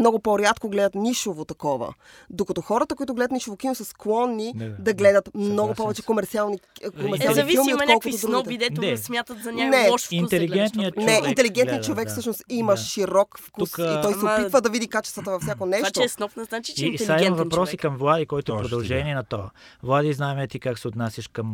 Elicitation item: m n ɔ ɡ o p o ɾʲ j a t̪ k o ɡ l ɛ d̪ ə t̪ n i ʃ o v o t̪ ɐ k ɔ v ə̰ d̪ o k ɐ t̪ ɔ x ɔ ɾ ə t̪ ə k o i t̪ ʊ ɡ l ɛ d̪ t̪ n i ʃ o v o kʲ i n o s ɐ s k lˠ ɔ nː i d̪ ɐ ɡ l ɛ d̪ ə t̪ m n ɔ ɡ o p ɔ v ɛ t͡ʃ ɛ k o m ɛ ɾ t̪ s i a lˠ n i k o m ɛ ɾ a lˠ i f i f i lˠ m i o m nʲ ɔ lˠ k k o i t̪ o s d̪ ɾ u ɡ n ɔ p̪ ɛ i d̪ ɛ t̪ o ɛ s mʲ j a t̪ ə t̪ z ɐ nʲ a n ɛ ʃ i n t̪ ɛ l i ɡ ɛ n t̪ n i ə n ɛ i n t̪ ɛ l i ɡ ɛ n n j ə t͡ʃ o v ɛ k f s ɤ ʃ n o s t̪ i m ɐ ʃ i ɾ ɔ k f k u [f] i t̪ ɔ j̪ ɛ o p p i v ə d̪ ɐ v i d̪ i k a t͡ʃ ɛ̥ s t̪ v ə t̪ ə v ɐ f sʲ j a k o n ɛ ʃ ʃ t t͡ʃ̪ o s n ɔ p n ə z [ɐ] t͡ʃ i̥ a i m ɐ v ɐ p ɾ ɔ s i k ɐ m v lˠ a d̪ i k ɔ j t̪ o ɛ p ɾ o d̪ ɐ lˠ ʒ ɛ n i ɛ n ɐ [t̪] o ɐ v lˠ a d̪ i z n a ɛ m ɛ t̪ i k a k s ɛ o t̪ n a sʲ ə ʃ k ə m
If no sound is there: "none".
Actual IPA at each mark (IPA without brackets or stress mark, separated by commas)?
s, a, t̪